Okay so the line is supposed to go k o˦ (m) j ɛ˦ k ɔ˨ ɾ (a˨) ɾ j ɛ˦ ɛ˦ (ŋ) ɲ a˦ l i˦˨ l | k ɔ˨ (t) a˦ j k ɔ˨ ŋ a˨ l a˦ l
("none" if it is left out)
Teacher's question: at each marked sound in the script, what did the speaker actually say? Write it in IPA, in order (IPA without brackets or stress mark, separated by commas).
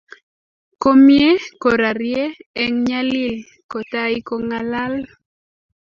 m, a˨, ŋ, t